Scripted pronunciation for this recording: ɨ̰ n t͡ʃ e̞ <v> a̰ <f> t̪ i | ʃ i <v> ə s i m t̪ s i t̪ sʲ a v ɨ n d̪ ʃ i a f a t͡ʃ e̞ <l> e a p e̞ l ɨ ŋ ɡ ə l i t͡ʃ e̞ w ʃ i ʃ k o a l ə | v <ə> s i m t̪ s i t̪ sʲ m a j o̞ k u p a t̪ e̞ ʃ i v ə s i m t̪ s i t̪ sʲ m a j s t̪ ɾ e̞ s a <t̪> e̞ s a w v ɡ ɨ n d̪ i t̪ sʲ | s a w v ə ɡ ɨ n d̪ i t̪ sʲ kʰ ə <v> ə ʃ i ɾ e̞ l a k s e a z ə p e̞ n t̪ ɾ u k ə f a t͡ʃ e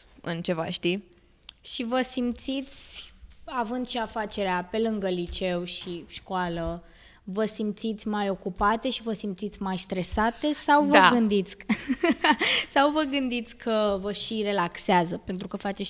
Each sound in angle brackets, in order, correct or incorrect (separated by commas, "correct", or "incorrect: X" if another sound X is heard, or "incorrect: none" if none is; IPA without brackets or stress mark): correct, incorrect: ʃ, correct, incorrect: ɾ, correct, correct, correct